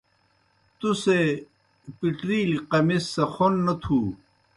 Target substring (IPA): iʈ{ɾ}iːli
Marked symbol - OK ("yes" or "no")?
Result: yes